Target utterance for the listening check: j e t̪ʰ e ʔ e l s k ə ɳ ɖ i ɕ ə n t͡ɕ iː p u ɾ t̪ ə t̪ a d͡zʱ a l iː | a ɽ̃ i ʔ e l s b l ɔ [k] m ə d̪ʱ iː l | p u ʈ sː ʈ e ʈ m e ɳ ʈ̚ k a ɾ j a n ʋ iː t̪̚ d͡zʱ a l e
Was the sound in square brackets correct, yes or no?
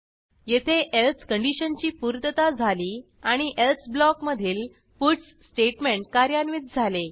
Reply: yes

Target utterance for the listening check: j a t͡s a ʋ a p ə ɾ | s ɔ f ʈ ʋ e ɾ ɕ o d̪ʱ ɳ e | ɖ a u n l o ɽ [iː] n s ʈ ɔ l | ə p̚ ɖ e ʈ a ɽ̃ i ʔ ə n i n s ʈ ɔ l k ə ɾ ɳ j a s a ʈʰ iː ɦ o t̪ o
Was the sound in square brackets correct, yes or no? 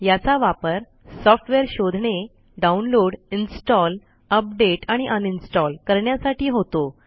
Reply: no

